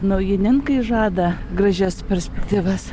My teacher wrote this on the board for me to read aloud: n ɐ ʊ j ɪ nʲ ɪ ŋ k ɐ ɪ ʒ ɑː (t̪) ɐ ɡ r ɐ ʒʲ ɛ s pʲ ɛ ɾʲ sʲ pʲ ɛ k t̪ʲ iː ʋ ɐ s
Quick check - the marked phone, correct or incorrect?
incorrect